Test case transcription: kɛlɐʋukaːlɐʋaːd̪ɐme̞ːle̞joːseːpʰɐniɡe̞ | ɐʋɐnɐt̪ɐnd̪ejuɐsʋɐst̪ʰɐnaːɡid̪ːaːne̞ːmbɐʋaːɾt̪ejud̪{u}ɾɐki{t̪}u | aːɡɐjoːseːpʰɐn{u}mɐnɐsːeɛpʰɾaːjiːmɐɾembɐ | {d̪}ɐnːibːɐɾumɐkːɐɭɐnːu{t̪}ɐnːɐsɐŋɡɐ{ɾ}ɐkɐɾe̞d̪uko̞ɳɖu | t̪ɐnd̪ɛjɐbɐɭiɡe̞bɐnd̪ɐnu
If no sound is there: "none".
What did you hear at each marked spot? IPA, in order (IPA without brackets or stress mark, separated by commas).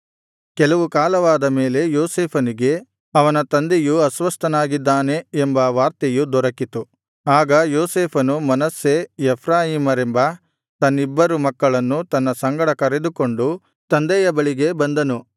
ɔ, t̪, u, t̪, t̪, ɽ